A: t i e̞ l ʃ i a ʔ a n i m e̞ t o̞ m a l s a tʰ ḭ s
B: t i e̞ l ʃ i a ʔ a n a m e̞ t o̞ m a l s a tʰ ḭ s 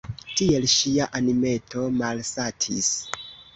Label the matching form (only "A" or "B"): A